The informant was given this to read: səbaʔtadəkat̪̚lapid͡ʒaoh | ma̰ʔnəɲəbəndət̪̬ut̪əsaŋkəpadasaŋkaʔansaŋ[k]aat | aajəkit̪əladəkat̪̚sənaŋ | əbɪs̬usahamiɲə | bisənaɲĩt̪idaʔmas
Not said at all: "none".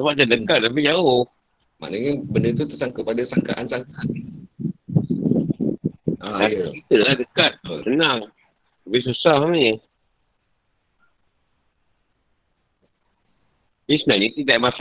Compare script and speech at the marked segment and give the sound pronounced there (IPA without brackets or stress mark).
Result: k